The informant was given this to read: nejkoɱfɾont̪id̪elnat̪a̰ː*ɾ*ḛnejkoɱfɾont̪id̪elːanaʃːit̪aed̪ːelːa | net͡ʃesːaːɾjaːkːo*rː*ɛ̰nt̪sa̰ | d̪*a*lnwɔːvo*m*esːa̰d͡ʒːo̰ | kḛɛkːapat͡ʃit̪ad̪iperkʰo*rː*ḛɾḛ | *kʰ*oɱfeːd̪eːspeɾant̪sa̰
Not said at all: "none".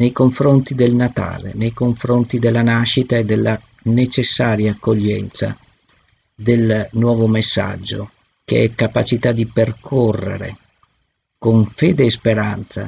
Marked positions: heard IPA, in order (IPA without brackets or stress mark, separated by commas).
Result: l, ʎː, e, m, rː, k